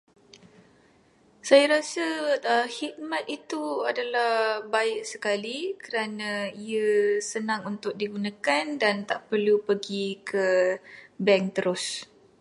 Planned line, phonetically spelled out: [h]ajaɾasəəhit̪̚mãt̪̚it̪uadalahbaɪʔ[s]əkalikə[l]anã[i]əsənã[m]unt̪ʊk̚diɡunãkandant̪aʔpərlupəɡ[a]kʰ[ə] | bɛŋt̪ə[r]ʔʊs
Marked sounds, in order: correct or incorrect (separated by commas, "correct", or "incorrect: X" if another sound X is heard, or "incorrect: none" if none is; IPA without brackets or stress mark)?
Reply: incorrect: s, correct, incorrect: ɾ, correct, incorrect: ŋ, incorrect: i, correct, incorrect: ɾ